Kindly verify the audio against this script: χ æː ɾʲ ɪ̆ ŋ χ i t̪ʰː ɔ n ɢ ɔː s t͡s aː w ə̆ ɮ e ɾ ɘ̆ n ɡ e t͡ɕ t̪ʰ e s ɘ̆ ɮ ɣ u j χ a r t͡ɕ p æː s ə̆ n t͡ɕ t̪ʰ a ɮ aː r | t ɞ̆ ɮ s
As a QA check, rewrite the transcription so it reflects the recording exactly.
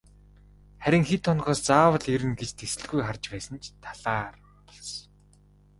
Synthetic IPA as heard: χ æ ɾʲ ɪ̆ ŋ x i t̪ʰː ɔ n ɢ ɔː s t͡s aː w ə̆ ɮ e ɾ ɘ̆ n ɡ e t͡ɕ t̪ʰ e s ɘ̆ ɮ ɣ u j χ a r t͡ɕ p æː s ə̆ n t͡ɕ t̪ʰ a ɮ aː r | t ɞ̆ ɮ s